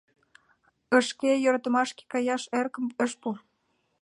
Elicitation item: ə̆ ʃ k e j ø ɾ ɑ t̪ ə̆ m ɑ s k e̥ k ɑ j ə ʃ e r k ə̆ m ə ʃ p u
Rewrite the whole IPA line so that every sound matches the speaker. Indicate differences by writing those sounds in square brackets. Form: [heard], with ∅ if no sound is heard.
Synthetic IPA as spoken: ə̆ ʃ k e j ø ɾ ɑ t̪ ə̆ m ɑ [ʃ] k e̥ k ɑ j [ɑ] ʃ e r k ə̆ m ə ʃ p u